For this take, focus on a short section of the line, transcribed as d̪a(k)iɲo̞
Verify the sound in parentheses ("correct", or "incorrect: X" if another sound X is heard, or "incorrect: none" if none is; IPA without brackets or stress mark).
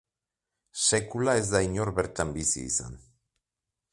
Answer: incorrect: none